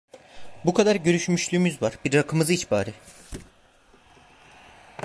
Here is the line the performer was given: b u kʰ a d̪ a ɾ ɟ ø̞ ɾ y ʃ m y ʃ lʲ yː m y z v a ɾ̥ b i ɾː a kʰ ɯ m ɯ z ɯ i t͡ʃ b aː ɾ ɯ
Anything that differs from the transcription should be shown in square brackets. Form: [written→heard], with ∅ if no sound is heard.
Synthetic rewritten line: b u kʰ a d̪ a ɾ ɟ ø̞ ɾ y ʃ m y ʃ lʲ yː m y z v a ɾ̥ b i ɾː a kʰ ɯ m ɯ z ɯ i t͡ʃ b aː ɾ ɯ

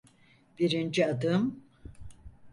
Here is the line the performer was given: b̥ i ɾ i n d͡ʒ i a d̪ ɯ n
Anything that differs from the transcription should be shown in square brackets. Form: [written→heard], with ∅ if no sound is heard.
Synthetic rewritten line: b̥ i ɾ i n d͡ʒ i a d̪ ɯ [n→m]

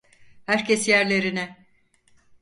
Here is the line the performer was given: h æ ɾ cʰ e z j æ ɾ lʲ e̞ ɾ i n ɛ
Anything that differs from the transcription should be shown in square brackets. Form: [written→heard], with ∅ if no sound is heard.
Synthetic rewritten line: h æ ɾ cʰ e [z→s] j æ ɾ lʲ e̞ ɾ i n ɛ

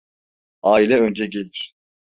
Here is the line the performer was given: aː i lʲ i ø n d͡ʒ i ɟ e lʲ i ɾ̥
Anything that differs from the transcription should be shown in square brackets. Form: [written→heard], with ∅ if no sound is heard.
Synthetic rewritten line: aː i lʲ [i→ɛ] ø n d͡ʒ [i→ɛ] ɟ e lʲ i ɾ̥

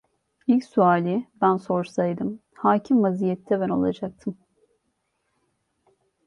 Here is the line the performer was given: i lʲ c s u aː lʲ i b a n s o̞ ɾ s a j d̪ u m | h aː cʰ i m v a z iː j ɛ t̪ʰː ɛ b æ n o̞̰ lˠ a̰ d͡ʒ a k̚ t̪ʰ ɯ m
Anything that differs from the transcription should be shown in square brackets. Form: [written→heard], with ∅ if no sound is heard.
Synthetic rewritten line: i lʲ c s u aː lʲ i b [a→æ] n s o̞ ɾ s a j d̪ [u→ɯ] m | h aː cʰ i m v a z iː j ɛ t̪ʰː ɛ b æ n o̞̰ lˠ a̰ d͡ʒ a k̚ t̪ʰ ɯ m

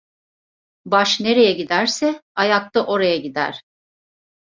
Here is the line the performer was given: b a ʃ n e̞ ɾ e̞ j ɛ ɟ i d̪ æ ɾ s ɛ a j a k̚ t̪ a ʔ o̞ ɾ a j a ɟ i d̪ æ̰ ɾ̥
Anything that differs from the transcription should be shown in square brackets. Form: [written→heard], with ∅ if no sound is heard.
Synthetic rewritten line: b a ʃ n e̞ ɾ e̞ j ɛ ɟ i d̪ æ ɾ s ɛ a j a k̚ t̪ a ʔ o̞ ɾ a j a ɟ i d̪ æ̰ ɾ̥

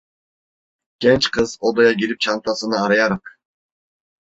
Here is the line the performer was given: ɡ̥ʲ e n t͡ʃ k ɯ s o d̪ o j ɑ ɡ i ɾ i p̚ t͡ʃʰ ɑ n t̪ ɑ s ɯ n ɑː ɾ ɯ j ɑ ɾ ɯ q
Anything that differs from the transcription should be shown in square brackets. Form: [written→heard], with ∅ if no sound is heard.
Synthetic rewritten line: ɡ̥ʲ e n t͡ʃ [k→q] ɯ [s→z] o d̪ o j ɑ ɡ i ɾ i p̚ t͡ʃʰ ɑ n t̪ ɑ s ɯ n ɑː ɾ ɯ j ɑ ɾ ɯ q

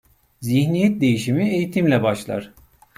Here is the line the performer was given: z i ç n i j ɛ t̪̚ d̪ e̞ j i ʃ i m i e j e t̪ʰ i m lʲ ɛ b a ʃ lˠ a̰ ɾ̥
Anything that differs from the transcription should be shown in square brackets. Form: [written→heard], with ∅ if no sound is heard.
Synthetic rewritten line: z i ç n i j ɛ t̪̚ d̪ e̞ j i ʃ i m i e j [e→i] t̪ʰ i m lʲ ɛ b a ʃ lˠ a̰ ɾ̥

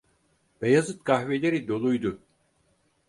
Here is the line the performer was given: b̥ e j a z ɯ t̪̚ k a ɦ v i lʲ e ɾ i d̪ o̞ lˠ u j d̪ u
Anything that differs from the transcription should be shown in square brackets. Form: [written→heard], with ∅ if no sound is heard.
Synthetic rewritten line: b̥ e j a z ɯ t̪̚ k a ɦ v [i→e] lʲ e ɾ i d̪ o̞ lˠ u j d̪ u

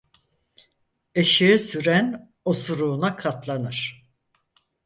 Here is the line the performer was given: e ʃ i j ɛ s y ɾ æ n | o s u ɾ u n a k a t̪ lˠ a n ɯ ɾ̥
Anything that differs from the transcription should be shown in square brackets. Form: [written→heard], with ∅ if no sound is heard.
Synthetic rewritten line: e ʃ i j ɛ s y ɾ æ n | o s u ɾ [u→uː] n a [k→kʰ] a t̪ lˠ a n ɯ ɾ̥

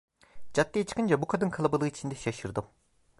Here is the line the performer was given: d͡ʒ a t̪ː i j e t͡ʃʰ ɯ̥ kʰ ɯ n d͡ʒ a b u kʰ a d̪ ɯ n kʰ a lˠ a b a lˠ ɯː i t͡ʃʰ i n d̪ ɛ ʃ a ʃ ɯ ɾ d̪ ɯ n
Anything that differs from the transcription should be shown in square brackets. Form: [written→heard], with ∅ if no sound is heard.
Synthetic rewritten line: d͡ʒ a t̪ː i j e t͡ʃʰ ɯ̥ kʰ ɯ n d͡ʒ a b u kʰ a d̪ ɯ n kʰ a lˠ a b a lˠ ɯː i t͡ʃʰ i n d̪ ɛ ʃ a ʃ ɯ ɾ d̪ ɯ [n→m]

